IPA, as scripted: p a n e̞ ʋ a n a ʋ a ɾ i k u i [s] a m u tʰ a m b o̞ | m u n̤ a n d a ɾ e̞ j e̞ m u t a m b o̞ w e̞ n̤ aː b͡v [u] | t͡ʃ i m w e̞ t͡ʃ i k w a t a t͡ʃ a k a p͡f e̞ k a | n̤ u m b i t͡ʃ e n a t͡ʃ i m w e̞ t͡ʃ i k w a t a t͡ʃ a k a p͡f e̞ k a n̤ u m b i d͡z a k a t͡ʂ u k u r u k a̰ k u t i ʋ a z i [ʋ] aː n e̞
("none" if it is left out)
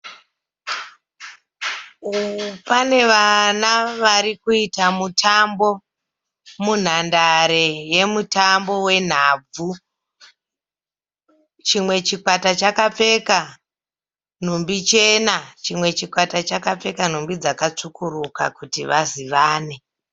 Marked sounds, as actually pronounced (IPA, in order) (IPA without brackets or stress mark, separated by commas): t, u, ʋ